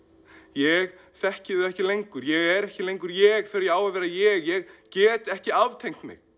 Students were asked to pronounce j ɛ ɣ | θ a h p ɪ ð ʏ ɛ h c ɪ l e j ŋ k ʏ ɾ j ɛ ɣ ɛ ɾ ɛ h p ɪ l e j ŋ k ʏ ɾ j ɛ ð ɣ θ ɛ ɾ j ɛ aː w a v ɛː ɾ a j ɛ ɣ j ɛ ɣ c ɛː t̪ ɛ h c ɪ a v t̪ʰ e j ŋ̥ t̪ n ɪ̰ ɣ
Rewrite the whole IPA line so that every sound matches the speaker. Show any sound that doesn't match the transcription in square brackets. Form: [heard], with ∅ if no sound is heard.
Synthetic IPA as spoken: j ɛ ɣ | θ [ɛ] h [c] ɪ ð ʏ ɛ h c ɪ l e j ŋ k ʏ ɾ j ɛ ɣ ɛ ɾ ɛ h [c] ɪ l e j ŋ k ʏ ɾ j ɛ [∅] ɣ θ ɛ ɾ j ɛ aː w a v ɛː ɾ a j ɛ ɣ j ɛ ɣ c ɛː t̪ ɛ h c ɪ a v t̪ʰ e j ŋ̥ t̪ [m] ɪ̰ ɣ